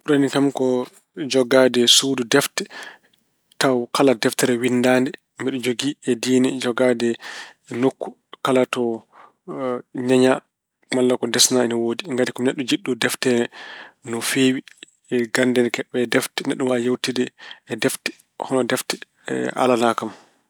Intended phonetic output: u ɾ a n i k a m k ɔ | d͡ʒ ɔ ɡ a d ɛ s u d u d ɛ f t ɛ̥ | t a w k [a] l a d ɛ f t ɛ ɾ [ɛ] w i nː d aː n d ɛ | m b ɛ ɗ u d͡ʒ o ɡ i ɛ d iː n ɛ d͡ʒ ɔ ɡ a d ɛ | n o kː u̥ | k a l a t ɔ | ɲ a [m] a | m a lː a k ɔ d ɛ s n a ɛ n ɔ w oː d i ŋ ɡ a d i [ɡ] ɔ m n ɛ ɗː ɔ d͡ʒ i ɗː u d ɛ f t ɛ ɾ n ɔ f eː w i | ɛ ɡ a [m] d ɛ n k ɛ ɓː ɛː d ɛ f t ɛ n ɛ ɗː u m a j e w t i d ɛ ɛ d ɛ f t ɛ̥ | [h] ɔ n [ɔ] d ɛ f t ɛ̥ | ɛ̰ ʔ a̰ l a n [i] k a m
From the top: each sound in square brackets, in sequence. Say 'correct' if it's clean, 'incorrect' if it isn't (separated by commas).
correct, correct, incorrect, incorrect, incorrect, correct, correct, incorrect